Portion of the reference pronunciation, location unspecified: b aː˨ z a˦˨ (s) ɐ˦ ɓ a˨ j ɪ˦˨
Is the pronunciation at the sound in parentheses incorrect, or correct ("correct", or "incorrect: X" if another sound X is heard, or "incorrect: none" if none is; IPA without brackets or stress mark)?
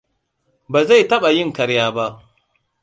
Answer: incorrect: t